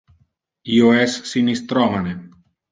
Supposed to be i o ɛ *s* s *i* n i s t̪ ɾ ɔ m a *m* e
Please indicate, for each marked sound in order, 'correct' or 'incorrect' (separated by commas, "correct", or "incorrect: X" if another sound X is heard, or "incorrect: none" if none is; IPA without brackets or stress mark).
correct, correct, incorrect: n